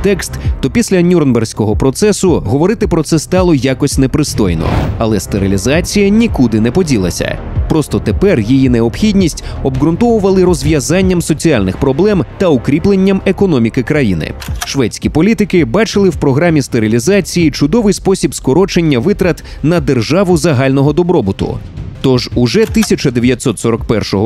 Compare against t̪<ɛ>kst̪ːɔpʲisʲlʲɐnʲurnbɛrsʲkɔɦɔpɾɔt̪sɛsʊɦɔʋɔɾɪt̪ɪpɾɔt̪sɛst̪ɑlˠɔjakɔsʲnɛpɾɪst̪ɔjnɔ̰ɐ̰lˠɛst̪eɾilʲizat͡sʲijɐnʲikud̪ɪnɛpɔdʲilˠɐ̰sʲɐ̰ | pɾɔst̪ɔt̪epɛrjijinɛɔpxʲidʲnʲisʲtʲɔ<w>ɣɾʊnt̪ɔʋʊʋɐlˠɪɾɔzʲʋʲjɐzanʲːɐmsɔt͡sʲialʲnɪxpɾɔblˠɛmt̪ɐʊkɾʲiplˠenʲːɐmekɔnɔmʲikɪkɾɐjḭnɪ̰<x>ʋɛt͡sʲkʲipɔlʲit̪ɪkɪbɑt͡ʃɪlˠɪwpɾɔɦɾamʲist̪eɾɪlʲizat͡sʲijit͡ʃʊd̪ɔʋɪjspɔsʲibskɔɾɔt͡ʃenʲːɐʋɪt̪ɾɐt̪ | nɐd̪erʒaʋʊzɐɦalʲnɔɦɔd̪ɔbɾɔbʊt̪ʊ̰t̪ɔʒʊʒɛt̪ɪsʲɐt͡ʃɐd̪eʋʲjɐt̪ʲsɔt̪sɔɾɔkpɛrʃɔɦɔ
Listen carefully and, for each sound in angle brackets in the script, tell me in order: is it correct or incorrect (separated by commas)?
correct, incorrect, incorrect